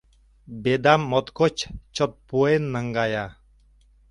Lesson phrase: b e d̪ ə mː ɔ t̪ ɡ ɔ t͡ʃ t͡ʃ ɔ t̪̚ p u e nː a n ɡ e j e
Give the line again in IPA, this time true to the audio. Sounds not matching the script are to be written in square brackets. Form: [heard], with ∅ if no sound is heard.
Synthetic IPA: b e d̪ [a] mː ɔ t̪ [k] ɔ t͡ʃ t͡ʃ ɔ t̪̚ p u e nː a [ŋ] ɡ [a] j [a]